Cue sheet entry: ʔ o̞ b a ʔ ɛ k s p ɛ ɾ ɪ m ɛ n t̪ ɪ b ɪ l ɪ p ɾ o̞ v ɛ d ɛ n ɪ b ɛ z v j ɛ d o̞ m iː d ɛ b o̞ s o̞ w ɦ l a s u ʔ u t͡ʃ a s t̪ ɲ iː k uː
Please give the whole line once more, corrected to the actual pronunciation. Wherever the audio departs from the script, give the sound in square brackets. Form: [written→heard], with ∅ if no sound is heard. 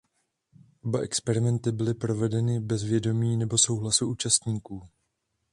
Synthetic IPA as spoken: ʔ o̞ b a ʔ ɛ k s p ɛ ɾ ɪ m ɛ n t̪ ɪ b ɪ l ɪ p ɾ o̞ v ɛ d ɛ n ɪ b ɛ z v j ɛ d o̞ m iː [d→n] ɛ b o̞ s o̞ w ɦ l a s u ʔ [u→uː] t͡ʃ a s t̪ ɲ iː k uː